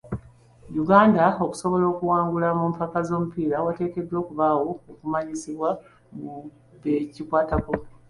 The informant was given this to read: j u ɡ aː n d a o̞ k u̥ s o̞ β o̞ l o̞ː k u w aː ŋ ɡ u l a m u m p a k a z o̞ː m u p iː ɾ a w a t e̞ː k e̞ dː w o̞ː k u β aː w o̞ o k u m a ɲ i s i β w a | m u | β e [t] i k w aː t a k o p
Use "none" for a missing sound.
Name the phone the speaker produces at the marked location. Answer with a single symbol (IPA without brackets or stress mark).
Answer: c